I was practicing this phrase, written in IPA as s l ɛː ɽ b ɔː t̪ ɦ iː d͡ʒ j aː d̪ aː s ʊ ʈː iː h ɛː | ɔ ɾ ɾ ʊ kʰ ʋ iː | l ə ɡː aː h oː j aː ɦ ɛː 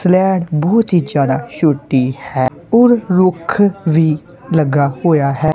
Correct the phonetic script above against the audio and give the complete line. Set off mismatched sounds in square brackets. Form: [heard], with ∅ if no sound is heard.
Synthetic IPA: s l ɛː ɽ b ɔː t̪ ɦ iː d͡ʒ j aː d̪ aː [ʃ] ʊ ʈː iː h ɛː | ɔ ɾ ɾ ʊ kʰ ʋ iː | l ə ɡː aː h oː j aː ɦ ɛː